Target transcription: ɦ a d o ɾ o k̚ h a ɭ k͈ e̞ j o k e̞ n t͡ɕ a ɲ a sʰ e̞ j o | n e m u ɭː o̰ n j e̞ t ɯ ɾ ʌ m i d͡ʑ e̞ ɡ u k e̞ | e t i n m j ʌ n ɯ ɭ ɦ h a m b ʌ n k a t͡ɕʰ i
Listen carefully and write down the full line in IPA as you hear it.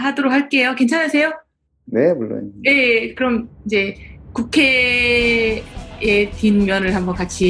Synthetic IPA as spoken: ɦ a d o ɾ o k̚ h a ɭ k͈ e̞ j o k e̞ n t͡ɕʰ a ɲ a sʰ e̞ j o | n e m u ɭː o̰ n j e̞ k ɯ ɾ ʌ m i d͡ʑ e̞ k u kʰ e̞ | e t i n m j ʌ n ɯ ɭ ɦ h a m b ʌ n k a t͡ɕʰ i